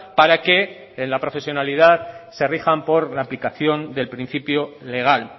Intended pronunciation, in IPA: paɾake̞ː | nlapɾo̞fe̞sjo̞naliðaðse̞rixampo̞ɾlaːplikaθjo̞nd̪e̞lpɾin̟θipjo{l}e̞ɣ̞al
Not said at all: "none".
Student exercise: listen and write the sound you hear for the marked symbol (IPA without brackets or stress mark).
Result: l